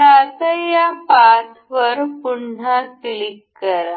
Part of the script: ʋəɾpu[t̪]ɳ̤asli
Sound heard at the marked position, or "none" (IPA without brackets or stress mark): none